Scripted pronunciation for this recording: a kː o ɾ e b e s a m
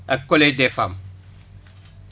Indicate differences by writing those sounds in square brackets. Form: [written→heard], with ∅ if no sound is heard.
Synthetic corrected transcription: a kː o [ɾ→l] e [b→d] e [s→f] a m